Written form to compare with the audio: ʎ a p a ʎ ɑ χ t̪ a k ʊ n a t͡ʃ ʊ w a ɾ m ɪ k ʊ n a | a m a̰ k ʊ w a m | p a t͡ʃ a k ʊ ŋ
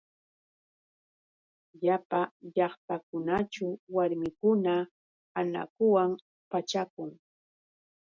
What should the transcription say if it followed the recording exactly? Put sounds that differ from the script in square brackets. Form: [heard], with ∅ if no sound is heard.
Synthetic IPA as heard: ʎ a p a ʎ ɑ χ t̪ a k ʊ n a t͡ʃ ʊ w a ɾ m ɪ k ʊ n a | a [n] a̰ k ʊ w a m | p a t͡ʃ a k ʊ ŋ